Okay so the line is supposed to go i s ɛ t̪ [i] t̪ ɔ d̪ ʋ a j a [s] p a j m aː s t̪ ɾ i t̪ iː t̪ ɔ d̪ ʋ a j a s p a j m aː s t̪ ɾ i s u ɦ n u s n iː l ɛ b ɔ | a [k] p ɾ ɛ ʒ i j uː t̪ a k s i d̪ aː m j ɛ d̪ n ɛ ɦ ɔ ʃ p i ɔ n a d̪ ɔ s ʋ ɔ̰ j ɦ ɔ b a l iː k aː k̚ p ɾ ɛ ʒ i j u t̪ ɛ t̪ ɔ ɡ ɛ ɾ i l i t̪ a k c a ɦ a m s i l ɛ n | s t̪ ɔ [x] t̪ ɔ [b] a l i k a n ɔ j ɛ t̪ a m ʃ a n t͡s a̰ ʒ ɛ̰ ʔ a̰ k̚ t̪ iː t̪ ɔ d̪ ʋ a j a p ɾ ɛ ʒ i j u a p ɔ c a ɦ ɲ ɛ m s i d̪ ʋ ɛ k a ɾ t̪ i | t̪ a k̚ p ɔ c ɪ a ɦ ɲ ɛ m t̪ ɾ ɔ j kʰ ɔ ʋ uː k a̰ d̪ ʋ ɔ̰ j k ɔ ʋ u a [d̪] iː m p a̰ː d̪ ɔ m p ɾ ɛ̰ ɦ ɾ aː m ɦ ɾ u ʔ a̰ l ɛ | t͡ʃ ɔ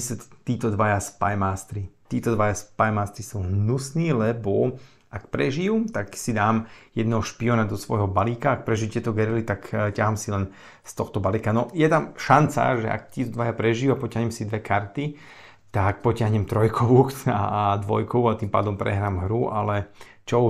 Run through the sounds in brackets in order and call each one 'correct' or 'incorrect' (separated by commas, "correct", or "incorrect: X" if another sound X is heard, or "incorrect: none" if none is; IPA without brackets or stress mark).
incorrect: iː, correct, correct, correct, correct, incorrect: t̪